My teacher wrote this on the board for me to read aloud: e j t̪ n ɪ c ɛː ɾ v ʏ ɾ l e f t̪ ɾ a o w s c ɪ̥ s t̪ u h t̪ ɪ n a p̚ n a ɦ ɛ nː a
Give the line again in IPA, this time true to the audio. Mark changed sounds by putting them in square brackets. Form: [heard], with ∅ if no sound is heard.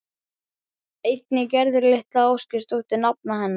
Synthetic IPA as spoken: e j t̪ n ɪ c [ɛ] ɾ [ð] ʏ ɾ l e [h] t̪ [l] a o w s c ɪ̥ s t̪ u h t̪ ɪ n a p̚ n a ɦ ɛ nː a